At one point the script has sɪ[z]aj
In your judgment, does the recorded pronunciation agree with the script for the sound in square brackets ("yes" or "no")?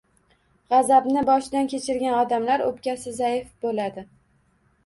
yes